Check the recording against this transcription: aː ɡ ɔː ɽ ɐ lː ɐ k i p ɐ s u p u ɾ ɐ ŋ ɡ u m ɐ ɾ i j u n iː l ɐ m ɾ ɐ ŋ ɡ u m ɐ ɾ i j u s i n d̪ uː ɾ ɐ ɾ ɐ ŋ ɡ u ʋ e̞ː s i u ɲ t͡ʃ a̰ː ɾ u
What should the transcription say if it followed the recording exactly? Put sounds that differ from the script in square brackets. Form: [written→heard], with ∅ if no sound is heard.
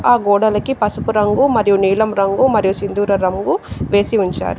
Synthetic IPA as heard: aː ɡ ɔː ɽ ɐ [lː→l] ɐ k i p ɐ s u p u ɾ ɐ ŋ ɡ u m ɐ ɾ i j u n iː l ɐ m ɾ ɐ ŋ ɡ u m ɐ ɾ i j u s i n d̪ uː ɾ ɐ ɾ ɐ ŋ ɡ u ʋ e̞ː s i u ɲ t͡ʃ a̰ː ɾ u

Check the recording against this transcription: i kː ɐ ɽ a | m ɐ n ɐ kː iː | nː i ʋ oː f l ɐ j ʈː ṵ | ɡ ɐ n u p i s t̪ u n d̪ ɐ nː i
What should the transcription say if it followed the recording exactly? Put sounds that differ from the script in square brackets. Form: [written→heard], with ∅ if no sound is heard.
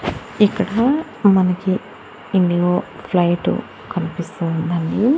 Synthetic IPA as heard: i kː ɐ ɽ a | m ɐ n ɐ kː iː | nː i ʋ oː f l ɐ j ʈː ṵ | [ɡ→k] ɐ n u p i s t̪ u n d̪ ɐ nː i

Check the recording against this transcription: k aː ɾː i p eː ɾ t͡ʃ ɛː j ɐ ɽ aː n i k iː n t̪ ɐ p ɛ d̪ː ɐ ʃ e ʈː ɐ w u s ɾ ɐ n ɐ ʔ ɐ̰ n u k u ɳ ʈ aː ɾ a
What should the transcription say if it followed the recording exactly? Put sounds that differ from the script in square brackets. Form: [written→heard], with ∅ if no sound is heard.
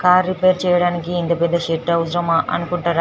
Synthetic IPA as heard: k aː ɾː i p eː ɾ t͡ʃ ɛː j ɐ ɽ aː n i k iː n t̪ ɐ p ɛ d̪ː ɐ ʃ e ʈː ɐ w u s ɾ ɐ [n→m] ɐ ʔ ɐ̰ n u k u ɳ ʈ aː ɾ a

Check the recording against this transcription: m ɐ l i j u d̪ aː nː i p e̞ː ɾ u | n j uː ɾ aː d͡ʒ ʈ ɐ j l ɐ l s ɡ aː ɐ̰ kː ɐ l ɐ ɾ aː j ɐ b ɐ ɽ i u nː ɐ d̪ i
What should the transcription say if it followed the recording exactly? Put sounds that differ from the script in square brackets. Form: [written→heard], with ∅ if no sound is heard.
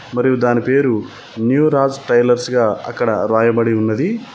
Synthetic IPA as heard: m ɐ [l→ɾ] i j u d̪ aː [nː→n] i p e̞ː ɾ u | n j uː ɾ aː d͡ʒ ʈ ɐ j l ɐ [l→ɾ] s ɡ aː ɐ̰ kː ɐ [l→ɽ] ɐ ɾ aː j ɐ b ɐ ɽ i u nː ɐ d̪ i

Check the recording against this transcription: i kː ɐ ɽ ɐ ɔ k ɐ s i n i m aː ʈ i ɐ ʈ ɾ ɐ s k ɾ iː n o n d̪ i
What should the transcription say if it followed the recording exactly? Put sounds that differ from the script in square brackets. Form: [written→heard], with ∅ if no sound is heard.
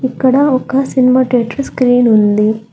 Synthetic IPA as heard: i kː ɐ ɽ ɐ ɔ k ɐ s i n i m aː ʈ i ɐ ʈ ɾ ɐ s k ɾ iː n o n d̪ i

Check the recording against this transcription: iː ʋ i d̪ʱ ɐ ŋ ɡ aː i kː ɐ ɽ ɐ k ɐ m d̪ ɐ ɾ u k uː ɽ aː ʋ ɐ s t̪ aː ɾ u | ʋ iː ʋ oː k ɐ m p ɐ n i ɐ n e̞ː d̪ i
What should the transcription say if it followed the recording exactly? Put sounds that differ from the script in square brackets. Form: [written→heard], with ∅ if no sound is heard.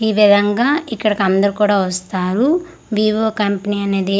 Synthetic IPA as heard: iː ʋ i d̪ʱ ɐ ŋ ɡ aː i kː ɐ ɽ ɐ k ɐ [m→n] d̪ ɐ ɾ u k uː ɽ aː ʋ ɐ s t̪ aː ɾ u | ʋ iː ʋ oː k ɐ m p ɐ n i ɐ n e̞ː d̪ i

